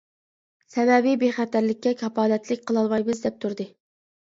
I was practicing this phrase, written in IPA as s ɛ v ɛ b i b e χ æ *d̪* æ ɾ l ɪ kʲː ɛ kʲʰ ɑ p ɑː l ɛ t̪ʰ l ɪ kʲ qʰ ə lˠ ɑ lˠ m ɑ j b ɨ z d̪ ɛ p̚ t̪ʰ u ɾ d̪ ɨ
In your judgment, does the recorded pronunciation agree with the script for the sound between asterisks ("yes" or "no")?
no